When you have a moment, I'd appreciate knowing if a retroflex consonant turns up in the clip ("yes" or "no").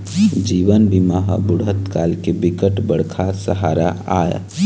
yes